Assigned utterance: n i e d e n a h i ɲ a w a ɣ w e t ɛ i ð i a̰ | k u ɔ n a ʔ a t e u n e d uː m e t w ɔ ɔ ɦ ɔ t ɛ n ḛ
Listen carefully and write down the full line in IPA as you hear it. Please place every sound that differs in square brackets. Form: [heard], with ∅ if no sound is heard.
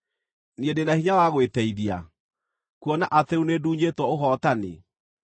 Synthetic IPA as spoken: n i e d e n a h i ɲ a w a ɣ w e t ɛ i ð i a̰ | k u ɔ n a ʔ a t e u n e d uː [ɲ] e t w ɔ [o] ɦ ɔ t [a] n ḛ